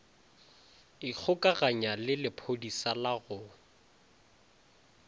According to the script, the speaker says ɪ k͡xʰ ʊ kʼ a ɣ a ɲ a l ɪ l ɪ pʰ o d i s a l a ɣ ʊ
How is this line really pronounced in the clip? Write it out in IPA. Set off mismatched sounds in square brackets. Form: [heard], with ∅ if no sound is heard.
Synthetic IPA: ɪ k͡xʰ ʊ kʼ a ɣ a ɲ a l ɪ l ɪ pʰ o d i s a l a ɣ ʊ